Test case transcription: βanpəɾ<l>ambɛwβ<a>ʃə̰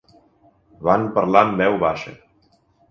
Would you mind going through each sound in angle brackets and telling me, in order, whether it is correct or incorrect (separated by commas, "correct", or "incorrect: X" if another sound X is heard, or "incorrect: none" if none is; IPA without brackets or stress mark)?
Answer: correct, correct